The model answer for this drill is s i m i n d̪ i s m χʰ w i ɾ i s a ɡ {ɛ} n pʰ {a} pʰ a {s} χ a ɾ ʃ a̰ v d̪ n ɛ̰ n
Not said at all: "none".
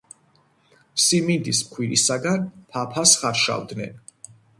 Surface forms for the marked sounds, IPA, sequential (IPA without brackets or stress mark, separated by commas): a, a, s